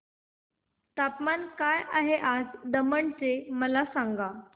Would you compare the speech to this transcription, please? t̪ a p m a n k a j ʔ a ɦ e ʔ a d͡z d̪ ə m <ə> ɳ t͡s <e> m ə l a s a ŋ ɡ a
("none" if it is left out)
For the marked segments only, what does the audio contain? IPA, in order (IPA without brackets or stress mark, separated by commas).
ə, e